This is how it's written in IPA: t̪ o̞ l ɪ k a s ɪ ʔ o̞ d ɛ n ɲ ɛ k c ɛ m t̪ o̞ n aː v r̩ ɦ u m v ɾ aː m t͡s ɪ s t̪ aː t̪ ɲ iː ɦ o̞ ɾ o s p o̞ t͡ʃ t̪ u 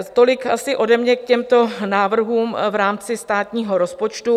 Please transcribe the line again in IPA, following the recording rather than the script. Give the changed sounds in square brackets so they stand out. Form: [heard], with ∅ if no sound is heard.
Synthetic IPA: t̪ o̞ l ɪ k a s ɪ ʔ o̞ d ɛ [m] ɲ ɛ k c ɛ m t̪ o̞ n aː v r̩ ɦ [uː] m v ɾ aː m t͡s ɪ s t̪ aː t̪ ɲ iː ɦ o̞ ɾ o s p o̞ t͡ʃ t̪ u